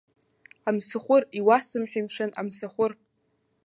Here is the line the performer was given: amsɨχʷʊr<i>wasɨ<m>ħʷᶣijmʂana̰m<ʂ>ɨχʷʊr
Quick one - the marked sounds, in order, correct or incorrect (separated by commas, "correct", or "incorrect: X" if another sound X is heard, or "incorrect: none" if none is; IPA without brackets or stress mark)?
correct, correct, incorrect: s